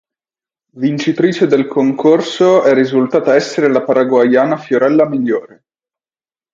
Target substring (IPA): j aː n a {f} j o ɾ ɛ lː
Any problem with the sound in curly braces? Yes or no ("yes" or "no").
no